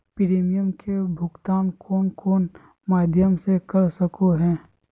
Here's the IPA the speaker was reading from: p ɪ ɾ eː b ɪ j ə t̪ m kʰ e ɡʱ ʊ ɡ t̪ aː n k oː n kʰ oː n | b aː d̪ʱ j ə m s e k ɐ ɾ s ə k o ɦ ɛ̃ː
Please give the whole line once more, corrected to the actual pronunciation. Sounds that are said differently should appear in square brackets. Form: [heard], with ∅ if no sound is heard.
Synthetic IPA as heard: p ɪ ɾ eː [m] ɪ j ə [∅] m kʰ e [bʱ] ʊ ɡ t̪ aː n k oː n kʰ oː n | [m] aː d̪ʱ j ə m s e k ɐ ɾ s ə k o ɦ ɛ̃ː